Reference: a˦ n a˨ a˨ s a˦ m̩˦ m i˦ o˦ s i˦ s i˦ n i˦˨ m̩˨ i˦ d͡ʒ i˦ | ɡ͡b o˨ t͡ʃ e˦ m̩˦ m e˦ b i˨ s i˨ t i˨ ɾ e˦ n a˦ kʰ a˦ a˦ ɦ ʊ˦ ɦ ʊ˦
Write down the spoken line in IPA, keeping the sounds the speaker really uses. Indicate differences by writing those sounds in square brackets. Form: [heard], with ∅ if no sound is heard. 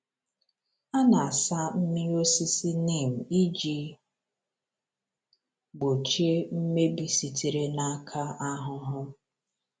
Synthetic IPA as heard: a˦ n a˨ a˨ s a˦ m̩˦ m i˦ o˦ s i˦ s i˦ n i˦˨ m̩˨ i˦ d͡ʒ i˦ | ɡ͡b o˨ t͡ʃ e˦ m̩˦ m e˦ b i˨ s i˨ t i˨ ɾ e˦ n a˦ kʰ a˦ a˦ ɦ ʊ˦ ɦ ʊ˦